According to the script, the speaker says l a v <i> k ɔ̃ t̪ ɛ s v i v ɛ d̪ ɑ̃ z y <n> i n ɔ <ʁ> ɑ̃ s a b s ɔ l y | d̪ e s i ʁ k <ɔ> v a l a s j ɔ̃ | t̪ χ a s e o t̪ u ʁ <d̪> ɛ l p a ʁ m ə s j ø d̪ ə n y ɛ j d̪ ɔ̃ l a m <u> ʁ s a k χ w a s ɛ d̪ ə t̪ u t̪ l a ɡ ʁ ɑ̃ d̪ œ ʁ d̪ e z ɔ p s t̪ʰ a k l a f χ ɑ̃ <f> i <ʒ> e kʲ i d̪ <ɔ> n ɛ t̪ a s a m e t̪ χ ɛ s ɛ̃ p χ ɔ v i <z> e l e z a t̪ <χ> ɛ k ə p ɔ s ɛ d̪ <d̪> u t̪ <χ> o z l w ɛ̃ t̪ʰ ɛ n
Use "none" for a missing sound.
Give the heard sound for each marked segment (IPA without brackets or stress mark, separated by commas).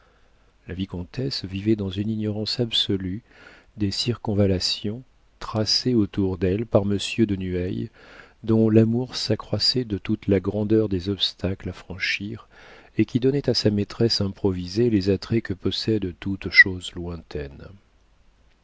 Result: i, n, ʁ, ɔ̃, d̪, u, ʃ, ʁ, ɔ, z, χ, t̪, ʃ